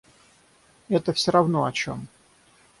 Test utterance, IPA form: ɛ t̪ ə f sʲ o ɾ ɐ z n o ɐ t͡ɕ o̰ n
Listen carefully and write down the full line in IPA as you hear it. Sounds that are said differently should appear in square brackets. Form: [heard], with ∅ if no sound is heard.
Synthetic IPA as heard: ɛ t̪ ə f sʲ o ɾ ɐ [v] n o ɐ t͡ɕ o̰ [m]